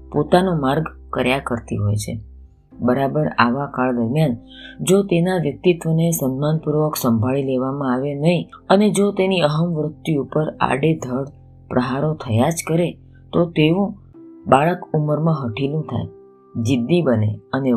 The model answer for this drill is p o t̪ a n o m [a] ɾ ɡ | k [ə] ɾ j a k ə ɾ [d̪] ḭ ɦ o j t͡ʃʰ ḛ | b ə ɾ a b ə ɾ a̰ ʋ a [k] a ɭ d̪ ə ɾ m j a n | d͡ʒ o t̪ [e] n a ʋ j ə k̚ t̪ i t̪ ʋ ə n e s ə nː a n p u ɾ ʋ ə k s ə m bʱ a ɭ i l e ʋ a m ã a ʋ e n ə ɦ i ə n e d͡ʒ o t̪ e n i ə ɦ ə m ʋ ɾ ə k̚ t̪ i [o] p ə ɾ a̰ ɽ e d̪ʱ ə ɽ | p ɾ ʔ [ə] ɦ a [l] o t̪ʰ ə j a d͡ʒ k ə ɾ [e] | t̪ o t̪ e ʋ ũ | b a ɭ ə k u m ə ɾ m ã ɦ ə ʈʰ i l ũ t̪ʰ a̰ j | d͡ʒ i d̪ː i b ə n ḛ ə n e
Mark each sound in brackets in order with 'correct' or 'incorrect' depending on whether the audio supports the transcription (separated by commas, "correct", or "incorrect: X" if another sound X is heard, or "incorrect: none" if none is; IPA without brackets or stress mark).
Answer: correct, correct, incorrect: t̪, correct, correct, incorrect: u, correct, incorrect: ɾ, correct